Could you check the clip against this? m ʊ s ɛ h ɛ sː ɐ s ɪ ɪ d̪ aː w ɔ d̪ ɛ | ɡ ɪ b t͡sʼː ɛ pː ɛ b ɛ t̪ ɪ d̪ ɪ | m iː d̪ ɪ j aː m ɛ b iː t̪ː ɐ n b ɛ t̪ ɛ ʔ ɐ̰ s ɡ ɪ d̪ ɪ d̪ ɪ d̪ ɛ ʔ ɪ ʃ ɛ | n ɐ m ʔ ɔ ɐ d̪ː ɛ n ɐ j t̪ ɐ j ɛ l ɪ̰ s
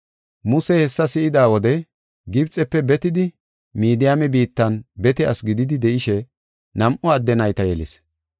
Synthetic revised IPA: m ʊ s ɛ h ɛ sː ɐ s ɪ ɪ d̪ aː w ɔ d̪ ɛ | ɡ ɪ b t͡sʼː ɛ pː ɛ b ɛ t̪ ɪ d̪ ɪ | m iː d̪ ɪ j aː m ɛ b iː t̪ː ɐ n b ɛ t̪ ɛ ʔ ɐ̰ s ɡ ɪ d̪ ɪ d̪ ɪ d̪ ɛ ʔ ɪ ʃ ɛ | n ɐ m ʔ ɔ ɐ d̪ː ɛ n ɐ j t̪ ɐ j ɛ l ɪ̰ s